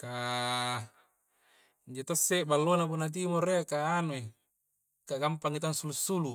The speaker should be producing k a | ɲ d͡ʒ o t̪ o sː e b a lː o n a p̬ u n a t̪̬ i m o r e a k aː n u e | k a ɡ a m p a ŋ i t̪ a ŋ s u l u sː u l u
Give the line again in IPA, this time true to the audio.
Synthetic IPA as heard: k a | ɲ d͡ʒ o t̪ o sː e b a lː o n a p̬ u n a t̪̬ i m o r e a k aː n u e | k a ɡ a m p a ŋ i t̪ a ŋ s u l u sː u l u